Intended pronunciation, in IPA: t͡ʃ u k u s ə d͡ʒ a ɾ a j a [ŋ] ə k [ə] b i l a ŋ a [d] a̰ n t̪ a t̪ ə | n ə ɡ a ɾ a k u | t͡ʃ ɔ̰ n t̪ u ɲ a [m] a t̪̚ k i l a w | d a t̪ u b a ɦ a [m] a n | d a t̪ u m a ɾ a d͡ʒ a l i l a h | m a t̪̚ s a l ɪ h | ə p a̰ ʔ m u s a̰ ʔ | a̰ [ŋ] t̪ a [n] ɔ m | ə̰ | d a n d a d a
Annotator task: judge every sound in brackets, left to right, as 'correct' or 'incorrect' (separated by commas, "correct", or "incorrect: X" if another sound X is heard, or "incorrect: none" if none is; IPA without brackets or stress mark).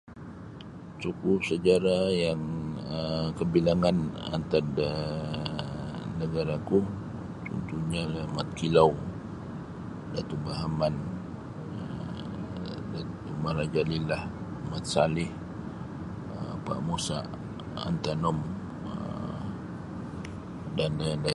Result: correct, correct, incorrect: n, correct, correct, incorrect: n, correct